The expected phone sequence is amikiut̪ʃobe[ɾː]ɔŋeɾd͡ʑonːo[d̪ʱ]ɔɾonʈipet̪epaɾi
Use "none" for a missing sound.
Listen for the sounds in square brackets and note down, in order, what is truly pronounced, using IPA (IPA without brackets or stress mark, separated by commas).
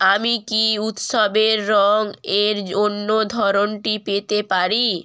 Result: ɾː, d̪ʱ